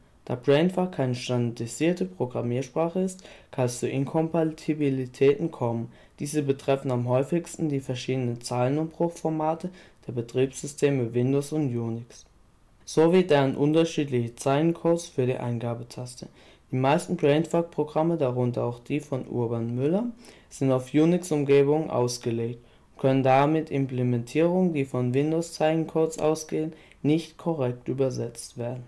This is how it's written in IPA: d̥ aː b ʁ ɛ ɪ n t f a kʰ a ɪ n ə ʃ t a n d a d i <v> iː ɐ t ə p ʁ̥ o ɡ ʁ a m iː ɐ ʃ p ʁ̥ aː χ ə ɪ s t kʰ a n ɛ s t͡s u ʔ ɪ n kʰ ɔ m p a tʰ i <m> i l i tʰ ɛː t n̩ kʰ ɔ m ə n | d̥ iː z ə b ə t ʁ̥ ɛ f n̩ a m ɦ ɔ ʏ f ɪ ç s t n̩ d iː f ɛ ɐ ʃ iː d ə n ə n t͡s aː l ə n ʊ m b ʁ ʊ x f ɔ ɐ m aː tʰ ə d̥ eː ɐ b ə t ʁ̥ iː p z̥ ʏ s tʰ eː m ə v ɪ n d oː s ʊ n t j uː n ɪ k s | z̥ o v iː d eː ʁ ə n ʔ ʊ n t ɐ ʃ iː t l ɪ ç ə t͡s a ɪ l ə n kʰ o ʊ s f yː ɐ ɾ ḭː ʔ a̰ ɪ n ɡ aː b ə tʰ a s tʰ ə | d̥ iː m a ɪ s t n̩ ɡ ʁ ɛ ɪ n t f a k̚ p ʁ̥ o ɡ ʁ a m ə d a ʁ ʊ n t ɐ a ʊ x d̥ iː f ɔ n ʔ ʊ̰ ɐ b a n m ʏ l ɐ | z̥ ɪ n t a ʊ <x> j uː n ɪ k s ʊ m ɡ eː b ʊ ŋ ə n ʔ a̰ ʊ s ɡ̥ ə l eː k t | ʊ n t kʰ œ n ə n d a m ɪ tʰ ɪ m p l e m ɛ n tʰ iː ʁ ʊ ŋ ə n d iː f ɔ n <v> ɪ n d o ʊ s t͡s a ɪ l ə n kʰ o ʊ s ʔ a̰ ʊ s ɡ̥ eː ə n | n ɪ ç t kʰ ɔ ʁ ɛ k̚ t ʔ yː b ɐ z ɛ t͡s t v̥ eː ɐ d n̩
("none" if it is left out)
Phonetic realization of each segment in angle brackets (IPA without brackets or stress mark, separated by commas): z, b, f, v